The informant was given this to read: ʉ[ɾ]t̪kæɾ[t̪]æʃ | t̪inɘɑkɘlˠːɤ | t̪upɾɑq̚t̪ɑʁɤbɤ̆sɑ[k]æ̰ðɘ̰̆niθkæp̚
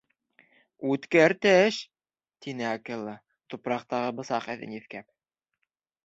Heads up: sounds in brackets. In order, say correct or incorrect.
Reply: incorrect: none, correct, incorrect: q

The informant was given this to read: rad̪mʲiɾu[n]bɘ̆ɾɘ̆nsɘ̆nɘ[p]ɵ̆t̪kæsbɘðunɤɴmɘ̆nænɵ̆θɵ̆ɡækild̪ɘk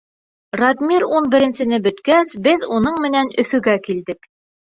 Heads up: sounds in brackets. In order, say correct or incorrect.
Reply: correct, incorrect: b

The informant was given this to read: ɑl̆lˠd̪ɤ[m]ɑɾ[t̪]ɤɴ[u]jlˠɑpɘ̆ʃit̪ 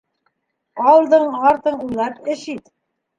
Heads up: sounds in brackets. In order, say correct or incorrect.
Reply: incorrect: ɴ, correct, correct

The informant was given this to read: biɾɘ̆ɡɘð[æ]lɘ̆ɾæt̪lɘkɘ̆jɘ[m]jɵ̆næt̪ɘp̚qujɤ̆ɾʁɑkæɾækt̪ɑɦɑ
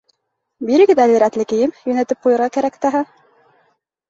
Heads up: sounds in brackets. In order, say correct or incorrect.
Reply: correct, correct

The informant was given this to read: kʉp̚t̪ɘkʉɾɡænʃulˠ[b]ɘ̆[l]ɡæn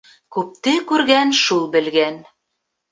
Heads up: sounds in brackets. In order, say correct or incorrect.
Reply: correct, correct

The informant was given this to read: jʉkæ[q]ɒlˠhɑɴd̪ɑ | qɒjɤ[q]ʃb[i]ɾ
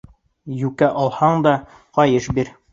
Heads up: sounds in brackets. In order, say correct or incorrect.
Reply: incorrect: ʔ, incorrect: none, correct

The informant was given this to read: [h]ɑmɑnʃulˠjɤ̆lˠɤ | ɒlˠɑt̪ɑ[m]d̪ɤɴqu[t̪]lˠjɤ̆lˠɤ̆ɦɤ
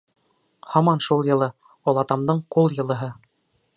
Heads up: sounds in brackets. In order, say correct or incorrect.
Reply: correct, correct, incorrect: none

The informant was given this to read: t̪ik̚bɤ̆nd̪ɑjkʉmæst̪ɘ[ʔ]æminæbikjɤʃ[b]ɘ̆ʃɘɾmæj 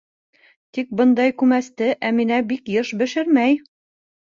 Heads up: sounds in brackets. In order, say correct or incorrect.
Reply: correct, correct

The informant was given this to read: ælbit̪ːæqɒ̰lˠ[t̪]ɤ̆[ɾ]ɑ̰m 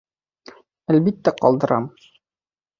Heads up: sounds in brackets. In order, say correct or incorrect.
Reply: incorrect: d̪, correct

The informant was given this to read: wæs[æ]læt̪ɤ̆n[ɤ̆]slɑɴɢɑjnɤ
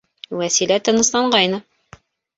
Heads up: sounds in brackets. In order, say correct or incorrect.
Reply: incorrect: i, correct

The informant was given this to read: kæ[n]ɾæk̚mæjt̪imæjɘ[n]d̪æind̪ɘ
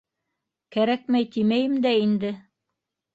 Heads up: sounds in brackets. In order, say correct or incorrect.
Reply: incorrect: none, incorrect: m

